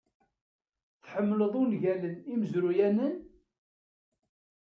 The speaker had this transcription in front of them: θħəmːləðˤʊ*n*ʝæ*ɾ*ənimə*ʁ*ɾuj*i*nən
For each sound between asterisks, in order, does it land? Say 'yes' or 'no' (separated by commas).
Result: yes, no, no, no